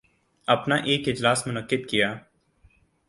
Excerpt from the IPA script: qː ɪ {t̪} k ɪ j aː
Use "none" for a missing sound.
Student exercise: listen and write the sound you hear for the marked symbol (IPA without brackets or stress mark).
d̪